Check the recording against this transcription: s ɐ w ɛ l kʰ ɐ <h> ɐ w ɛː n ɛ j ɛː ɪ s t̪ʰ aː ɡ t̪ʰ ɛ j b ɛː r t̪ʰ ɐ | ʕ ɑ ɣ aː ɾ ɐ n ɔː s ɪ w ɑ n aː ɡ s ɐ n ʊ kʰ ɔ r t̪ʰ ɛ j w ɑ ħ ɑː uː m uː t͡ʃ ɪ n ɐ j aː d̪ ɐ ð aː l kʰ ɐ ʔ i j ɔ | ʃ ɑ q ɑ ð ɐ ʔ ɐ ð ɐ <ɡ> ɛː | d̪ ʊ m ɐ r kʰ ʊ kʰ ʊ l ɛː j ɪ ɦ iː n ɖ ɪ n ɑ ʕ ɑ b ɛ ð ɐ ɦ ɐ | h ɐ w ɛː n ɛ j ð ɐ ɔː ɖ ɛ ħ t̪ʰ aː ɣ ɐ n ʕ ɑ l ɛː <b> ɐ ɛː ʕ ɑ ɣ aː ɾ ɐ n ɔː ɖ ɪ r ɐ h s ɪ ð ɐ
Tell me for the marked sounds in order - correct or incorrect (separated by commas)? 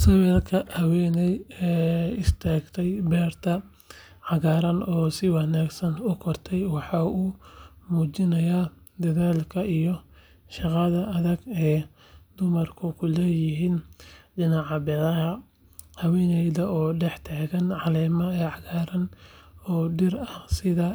correct, correct, incorrect